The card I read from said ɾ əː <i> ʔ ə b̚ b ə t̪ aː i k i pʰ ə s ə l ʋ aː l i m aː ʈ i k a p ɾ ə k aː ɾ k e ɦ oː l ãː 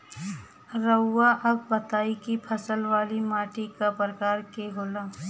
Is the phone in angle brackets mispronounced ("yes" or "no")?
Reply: yes